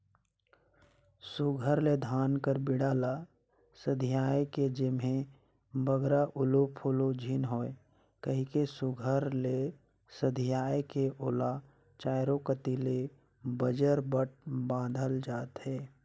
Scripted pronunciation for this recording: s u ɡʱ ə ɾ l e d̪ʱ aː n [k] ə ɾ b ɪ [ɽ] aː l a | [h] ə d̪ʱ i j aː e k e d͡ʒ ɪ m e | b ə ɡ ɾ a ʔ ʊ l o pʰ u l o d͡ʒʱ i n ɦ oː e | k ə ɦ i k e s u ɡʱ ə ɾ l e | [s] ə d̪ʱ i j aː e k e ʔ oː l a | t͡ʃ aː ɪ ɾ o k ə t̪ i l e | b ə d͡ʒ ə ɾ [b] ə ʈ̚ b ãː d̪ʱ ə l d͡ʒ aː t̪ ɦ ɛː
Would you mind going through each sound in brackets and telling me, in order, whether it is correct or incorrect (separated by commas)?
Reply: correct, correct, incorrect, correct, correct